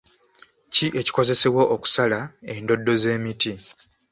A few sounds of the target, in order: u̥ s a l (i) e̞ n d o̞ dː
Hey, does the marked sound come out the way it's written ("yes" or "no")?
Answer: no